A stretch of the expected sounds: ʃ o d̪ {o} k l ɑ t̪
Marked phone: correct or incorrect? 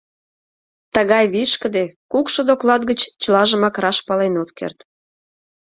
correct